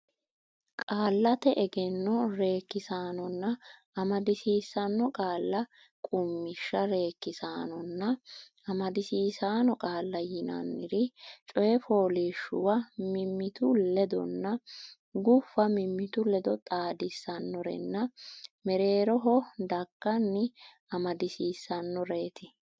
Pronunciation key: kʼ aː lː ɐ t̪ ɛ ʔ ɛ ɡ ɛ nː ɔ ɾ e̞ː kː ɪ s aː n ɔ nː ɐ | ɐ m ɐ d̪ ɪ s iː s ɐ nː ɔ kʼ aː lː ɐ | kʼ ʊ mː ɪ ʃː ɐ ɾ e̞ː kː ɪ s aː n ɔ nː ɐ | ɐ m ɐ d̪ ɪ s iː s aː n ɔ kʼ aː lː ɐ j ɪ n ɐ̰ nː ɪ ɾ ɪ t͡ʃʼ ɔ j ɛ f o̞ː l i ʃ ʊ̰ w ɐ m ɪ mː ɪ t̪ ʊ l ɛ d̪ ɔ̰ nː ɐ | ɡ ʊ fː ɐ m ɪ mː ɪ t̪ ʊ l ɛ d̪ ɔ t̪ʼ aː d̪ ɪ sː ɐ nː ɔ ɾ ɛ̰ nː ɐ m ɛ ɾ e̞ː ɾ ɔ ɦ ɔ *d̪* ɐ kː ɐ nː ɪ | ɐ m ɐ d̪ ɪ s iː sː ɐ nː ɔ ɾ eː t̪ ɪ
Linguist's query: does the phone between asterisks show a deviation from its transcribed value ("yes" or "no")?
no